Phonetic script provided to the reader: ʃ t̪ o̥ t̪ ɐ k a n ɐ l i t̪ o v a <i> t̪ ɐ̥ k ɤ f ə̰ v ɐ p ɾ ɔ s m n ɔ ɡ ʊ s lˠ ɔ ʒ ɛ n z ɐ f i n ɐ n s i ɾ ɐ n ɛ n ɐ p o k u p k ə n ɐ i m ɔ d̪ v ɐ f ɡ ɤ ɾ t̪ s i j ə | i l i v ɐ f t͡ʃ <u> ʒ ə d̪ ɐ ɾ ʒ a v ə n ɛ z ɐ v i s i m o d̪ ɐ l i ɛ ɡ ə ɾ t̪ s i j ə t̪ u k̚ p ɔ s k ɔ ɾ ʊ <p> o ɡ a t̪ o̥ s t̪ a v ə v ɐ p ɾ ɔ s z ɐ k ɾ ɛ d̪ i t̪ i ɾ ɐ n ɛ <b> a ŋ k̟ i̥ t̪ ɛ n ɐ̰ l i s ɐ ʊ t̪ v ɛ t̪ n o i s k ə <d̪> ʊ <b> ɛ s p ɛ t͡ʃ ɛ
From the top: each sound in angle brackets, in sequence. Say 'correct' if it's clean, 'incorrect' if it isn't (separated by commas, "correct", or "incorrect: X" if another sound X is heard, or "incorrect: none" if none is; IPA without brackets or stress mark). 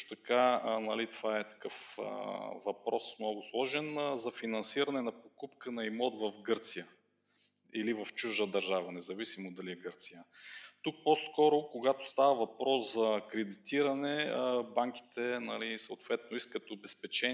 incorrect: ɛ, correct, incorrect: k, correct, incorrect: t̪, correct